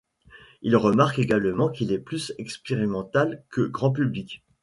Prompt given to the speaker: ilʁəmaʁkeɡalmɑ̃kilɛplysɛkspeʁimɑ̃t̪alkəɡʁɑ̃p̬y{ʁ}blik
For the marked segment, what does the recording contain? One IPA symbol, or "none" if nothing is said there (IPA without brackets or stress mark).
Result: none